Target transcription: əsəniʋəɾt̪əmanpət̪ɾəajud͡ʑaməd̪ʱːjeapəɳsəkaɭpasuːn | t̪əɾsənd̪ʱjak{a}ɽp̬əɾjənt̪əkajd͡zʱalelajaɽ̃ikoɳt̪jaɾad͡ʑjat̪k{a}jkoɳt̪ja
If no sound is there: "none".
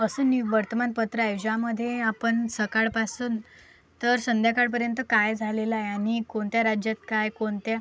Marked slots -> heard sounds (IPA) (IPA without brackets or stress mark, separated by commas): a, a